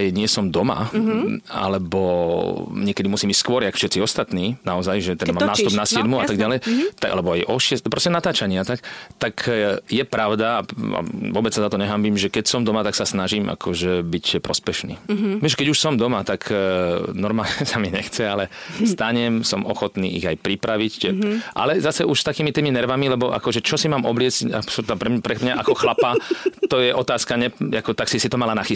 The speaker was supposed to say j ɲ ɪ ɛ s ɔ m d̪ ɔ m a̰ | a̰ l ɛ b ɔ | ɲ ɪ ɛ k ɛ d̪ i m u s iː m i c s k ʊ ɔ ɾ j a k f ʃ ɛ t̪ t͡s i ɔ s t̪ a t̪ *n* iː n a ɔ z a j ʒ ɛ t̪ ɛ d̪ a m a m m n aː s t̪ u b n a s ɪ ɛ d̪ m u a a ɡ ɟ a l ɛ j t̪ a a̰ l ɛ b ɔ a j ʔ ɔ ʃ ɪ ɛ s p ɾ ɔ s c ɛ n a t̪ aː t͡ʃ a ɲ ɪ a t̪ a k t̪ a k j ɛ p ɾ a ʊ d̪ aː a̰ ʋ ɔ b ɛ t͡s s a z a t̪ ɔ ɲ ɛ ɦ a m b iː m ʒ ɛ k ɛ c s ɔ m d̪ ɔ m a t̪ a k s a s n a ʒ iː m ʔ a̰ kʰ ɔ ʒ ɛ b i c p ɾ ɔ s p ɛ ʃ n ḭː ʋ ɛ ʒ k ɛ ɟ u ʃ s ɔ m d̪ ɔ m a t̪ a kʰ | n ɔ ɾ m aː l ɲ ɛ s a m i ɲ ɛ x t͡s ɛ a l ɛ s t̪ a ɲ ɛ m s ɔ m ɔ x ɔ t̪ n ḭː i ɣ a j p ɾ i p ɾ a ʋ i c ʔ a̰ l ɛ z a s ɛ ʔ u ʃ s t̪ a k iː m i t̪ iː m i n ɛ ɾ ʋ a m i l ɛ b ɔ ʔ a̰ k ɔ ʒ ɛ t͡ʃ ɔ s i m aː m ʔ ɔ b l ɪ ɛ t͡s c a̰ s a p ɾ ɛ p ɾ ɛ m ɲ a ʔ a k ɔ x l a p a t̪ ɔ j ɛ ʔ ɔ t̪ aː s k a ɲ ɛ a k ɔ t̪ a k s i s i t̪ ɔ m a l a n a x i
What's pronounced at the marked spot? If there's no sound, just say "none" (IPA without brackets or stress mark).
n